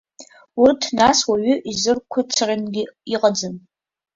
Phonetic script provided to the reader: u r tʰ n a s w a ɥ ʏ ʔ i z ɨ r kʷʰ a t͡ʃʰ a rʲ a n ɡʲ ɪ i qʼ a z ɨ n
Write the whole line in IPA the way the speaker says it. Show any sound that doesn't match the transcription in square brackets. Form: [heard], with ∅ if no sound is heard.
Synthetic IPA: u r tʰ n a s w a ɥ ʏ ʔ i z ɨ r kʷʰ a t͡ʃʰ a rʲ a n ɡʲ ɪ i qʼ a [d͡z] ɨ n